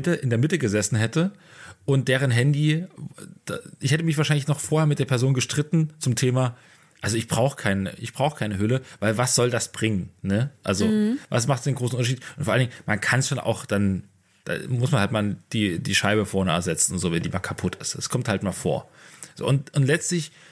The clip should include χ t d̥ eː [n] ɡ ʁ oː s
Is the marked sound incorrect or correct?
correct